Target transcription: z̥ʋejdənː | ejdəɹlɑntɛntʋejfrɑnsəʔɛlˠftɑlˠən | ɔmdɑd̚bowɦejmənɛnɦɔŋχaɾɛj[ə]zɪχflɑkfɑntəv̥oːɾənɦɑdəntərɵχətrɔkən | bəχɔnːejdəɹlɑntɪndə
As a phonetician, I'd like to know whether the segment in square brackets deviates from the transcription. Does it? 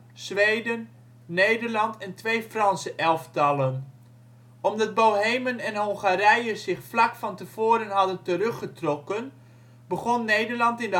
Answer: no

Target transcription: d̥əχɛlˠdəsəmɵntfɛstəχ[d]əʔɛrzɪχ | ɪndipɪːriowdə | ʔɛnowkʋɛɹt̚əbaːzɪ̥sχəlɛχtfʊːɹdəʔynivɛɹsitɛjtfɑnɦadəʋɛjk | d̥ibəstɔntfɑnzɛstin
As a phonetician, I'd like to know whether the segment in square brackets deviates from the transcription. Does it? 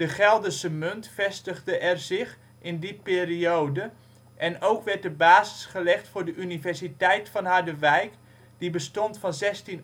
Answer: no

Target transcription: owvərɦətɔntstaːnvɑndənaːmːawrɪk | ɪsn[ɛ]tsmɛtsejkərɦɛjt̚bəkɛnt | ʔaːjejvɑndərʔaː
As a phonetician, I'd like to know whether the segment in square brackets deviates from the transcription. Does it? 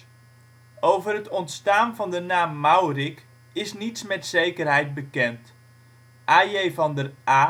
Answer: yes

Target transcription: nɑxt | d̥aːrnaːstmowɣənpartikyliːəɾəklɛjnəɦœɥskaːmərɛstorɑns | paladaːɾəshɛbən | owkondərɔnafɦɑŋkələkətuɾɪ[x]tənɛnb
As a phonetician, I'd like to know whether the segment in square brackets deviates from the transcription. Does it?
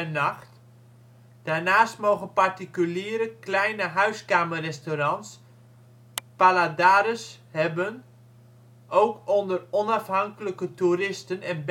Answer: yes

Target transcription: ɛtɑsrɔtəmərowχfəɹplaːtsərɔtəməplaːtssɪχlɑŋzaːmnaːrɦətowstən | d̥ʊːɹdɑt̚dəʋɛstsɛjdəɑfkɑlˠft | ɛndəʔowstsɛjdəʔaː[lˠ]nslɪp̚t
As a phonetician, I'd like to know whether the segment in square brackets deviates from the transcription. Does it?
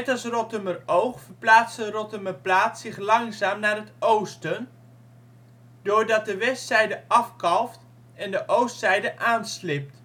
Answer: yes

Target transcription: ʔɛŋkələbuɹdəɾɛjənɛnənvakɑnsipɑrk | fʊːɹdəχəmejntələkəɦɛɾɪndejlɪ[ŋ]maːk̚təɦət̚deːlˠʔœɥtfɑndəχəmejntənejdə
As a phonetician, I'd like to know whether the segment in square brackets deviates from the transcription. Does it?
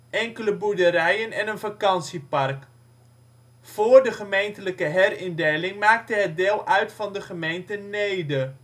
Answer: no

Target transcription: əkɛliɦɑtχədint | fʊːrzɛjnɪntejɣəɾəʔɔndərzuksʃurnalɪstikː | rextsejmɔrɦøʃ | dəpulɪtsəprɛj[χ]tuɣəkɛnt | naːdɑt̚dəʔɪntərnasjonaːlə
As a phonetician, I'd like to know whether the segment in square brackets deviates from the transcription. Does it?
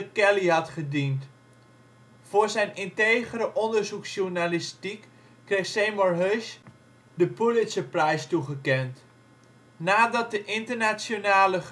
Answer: yes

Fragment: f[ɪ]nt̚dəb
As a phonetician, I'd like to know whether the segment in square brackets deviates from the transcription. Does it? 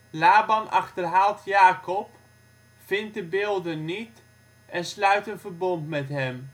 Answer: no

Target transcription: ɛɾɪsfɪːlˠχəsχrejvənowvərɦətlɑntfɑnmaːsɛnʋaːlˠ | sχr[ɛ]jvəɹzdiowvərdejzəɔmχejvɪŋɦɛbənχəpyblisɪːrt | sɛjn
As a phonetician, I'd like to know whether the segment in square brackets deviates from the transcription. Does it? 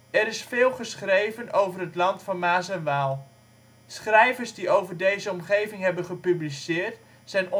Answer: no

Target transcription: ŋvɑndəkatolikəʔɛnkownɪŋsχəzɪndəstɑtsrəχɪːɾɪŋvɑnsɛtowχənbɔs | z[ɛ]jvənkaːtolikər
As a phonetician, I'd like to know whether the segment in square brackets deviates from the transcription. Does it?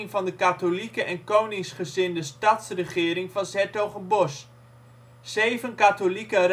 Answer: yes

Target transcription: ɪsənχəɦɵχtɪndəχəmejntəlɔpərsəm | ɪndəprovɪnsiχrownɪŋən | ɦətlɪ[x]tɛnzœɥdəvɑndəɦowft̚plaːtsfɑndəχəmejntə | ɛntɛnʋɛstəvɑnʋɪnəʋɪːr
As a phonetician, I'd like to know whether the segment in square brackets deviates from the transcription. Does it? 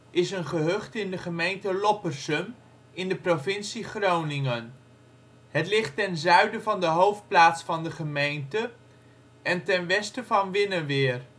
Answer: yes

